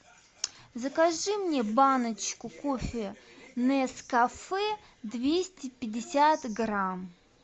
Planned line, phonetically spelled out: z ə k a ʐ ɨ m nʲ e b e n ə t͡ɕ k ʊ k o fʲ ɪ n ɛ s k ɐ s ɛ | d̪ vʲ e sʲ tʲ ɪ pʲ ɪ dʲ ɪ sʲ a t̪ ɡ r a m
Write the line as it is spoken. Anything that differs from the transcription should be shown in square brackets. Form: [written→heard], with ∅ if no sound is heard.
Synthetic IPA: z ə k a ʐ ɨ m nʲ e b [e→a] n ə t͡ɕ k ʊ k o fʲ ɪ n ɛ s k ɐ [s→f] ɛ | d̪ vʲ e sʲ tʲ ɪ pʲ ɪ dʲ ɪ sʲ a t̪ ɡ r a m